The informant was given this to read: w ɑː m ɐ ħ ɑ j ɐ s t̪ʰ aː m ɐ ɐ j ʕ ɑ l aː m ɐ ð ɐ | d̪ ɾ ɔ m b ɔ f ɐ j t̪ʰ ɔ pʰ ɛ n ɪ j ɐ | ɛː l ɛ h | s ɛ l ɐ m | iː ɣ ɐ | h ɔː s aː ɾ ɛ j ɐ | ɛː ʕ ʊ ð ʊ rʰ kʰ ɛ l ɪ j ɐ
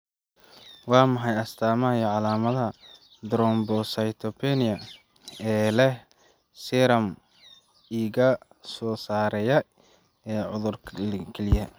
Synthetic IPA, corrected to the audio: w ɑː m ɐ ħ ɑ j ɐ s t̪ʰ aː m ɐ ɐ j ʕ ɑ l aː m ɐ ð ɐ | d̪ ɾ ɔ m b ɔ s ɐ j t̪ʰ ɔ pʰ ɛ n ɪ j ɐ | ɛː l ɛ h | s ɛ ɾ ɐ m | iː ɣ ɐ | s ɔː s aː ɾ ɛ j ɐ | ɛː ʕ ʊ ð ʊ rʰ kʰ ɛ l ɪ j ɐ